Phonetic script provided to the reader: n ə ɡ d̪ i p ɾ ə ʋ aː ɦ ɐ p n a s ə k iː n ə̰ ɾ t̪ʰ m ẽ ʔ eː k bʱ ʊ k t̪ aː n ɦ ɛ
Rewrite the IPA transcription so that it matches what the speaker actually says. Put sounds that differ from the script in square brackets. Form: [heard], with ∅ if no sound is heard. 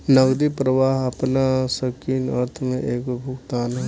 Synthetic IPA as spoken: n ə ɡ d̪ i p ɾ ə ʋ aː ɦ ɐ p n a s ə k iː n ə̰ ɾ t̪ʰ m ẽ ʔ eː k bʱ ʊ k t̪ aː n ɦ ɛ